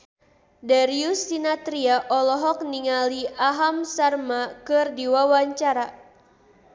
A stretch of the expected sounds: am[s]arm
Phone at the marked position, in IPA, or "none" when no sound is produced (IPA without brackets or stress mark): s